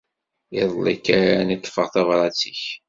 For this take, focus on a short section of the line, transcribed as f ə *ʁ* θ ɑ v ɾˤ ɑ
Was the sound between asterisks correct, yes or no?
yes